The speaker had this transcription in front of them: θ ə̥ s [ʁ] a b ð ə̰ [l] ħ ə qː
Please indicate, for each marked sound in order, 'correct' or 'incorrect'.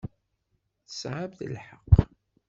incorrect, correct

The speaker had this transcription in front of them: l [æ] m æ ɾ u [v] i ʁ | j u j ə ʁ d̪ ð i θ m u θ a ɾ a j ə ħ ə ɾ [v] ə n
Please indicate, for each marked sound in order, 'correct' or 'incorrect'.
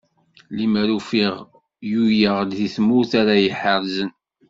incorrect, incorrect, incorrect

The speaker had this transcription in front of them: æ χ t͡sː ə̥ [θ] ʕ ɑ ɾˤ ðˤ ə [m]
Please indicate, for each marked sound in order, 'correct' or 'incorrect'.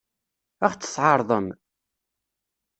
incorrect, correct

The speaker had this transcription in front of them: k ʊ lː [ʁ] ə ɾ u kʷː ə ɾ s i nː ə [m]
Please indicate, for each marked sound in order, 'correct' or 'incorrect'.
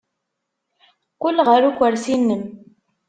correct, correct

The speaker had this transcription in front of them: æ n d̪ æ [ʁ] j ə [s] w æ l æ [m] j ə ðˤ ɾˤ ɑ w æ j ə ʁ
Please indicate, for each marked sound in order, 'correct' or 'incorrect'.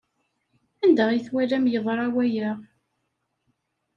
correct, incorrect, correct

